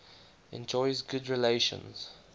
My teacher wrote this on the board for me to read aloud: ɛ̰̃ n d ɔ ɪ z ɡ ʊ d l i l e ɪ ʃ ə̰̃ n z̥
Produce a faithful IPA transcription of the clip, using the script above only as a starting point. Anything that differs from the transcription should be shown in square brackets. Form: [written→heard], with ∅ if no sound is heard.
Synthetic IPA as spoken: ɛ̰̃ n [d→d͡ʒ] ɔ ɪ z ɡ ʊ d [l→ɹ] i l e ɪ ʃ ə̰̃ n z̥